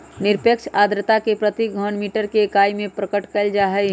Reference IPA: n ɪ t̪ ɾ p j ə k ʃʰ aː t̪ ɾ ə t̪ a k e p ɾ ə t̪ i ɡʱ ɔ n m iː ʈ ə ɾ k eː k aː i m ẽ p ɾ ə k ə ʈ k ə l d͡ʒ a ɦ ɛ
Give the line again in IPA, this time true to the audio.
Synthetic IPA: n ɪ ɾ p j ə k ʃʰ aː d̪ ɾ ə t̪ a k e p ɾ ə t̪ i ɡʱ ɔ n m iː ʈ ə ɾ k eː k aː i m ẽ p ɾ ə k ə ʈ k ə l d͡ʒ a ɦ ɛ